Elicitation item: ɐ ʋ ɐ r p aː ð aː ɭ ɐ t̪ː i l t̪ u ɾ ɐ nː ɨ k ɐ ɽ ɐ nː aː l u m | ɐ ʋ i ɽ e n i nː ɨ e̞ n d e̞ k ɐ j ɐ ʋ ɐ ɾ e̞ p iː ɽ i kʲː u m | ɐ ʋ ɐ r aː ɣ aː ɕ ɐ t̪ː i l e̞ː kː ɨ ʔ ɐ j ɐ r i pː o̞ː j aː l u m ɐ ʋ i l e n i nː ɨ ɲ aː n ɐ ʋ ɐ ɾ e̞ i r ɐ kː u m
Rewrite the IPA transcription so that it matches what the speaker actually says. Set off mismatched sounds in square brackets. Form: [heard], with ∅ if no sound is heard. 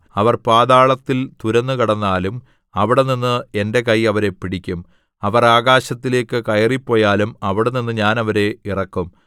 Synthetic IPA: ɐ ʋ ɐ r p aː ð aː ɭ ɐ t̪ː i l t̪ u ɾ ɐ nː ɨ k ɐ ɽ ɐ nː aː l u m | ɐ ʋ i ɽ e n i nː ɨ e̞ n d e̞ k ɐ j ɐ ʋ ɐ ɾ e̞ p [i] ɽ i kʲː u m | ɐ ʋ ɐ r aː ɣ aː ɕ ɐ t̪ː i l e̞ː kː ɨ [k] ɐ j ɐ r i pː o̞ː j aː l u m ɐ ʋ i [ɽ] e n i nː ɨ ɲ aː n ɐ ʋ ɐ ɾ e̞ i r ɐ kː u m